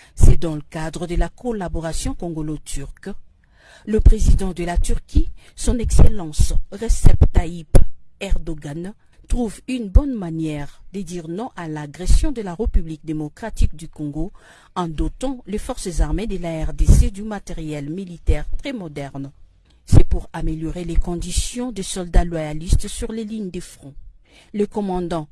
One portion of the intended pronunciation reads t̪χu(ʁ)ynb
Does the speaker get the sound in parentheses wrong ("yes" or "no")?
yes